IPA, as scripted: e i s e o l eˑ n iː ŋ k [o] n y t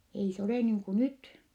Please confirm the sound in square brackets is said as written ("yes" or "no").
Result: no